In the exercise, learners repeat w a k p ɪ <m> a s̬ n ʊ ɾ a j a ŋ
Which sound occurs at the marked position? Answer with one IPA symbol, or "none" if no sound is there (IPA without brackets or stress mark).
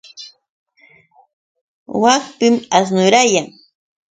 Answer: m